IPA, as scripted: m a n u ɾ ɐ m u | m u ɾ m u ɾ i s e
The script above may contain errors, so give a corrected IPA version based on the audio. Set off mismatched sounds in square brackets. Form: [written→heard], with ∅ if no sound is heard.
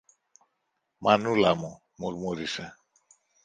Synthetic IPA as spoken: m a n u [ɾ→l] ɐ m u | m u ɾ m u ɾ i s e